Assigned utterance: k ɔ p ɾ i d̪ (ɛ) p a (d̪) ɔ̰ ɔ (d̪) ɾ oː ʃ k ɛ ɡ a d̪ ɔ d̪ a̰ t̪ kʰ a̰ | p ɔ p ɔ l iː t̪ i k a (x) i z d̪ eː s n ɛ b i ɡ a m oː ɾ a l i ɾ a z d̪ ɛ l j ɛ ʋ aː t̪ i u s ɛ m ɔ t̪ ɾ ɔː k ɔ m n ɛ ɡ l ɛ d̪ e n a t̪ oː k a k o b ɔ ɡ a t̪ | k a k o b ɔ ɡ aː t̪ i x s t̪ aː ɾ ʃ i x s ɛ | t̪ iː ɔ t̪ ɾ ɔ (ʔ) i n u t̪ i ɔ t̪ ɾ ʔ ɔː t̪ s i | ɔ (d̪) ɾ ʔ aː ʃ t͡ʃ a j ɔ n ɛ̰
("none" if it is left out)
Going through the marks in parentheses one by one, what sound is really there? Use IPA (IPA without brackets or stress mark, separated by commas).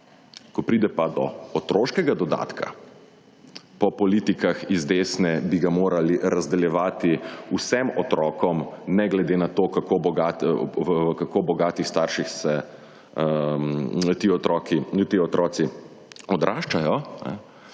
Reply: ɛ, d̪, t̪, x, k, d̪